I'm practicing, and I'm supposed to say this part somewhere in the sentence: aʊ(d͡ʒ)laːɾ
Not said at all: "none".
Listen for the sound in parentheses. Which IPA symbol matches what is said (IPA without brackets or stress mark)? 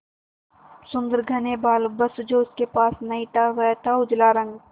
d͡ʒ